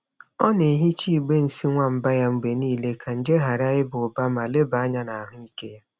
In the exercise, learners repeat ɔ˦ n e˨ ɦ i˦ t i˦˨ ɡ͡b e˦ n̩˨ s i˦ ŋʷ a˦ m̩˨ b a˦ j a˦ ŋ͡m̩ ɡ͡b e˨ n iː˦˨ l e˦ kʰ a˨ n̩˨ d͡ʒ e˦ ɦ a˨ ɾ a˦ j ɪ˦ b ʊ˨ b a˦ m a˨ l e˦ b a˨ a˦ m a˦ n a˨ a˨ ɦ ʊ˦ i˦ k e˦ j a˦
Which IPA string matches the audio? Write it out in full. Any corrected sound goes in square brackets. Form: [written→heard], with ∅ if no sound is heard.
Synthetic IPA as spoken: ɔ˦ n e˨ ɦ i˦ [t→t͡ʃ] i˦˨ ɡ͡b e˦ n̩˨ s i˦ ŋʷ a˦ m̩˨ b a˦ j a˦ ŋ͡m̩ ɡ͡b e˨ n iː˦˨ l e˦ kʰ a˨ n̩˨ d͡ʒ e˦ ɦ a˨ ɾ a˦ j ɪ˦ b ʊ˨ b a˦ m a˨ l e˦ b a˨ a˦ [m→ɲ] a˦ n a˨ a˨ ɦ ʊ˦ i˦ k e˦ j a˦

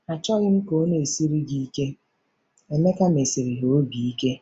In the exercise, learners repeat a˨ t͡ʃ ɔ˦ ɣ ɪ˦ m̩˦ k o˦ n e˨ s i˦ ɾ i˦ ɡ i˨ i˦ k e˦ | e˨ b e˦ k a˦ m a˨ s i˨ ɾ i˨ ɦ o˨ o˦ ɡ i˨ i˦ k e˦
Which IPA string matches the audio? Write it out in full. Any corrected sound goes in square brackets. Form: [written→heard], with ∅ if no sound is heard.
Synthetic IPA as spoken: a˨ t͡ʃ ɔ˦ ɣ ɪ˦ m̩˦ k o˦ n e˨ s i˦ ɾ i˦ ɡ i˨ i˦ k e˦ | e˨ [b→m] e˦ k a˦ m [a˨→e˨] s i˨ ɾ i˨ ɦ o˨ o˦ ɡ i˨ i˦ k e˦

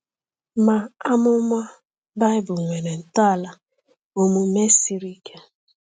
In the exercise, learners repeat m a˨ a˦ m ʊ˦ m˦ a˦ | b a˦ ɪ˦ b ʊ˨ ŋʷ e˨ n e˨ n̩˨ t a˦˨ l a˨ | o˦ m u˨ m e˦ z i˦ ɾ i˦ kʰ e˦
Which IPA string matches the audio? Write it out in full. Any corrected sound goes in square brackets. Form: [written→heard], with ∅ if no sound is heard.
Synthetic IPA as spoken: m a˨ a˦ m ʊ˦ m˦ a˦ | b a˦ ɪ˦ b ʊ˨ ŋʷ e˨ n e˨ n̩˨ t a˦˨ l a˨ | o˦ m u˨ m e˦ [z→s] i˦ ɾ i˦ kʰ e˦

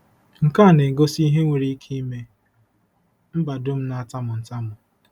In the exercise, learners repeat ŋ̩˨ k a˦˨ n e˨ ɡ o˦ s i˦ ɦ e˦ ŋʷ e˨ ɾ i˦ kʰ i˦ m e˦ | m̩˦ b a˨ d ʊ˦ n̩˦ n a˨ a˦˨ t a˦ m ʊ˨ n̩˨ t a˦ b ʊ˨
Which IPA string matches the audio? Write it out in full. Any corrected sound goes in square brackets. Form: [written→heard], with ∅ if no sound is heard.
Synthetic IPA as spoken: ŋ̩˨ k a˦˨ n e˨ ɡ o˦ s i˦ ɦ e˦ ŋʷ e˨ ɾ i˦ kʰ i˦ m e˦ | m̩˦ b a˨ d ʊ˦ [n̩˦→m̩˦] n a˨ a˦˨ t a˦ m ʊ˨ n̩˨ t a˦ [b→m] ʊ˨

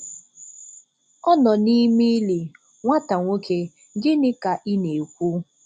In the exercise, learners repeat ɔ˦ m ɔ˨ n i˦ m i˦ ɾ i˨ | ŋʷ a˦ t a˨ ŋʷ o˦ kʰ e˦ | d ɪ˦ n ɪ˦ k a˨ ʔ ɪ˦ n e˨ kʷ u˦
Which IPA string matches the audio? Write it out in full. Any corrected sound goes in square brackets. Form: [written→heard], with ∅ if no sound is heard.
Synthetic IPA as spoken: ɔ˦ [m→n] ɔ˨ n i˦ m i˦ [ɾ→l] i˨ | ŋʷ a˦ t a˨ ŋʷ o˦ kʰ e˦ | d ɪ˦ n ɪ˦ k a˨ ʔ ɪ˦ n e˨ kʷ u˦

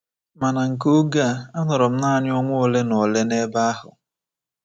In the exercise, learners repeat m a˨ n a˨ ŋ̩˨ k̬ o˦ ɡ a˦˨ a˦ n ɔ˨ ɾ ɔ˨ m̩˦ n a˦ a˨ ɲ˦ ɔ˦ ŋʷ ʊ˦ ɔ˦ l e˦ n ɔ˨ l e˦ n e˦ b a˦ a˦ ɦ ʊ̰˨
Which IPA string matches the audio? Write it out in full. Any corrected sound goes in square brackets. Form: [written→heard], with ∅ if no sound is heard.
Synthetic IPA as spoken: m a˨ n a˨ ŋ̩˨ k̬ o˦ ɡ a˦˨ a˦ n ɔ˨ ɾ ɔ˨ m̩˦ n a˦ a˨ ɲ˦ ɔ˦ ŋʷ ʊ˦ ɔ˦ l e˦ n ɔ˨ l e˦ n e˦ b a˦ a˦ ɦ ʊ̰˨

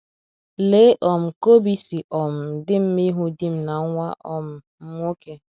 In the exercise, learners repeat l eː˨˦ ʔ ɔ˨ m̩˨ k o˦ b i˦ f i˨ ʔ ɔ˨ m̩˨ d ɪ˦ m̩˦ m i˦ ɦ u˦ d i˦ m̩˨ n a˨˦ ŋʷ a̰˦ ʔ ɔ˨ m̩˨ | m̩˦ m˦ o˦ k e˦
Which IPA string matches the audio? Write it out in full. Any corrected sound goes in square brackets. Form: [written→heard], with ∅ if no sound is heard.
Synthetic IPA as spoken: l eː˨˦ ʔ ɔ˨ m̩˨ k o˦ b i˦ [f→s] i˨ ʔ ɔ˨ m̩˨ d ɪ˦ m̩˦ m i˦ ɦ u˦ d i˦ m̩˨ n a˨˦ ŋʷ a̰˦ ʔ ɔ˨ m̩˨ | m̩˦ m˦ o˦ k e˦

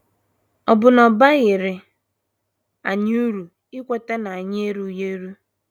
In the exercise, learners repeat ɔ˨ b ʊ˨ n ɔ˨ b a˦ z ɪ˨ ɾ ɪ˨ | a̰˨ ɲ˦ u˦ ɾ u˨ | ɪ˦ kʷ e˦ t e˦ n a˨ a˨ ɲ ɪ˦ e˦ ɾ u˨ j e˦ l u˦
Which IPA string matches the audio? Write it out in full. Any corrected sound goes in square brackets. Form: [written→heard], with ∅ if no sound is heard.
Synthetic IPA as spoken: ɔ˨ b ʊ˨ n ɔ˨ b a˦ [z→ɣ] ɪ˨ ɾ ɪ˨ | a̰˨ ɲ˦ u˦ ɾ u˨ | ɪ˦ kʷ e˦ t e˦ n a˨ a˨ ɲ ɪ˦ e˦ ɾ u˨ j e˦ [l→ɾ] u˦

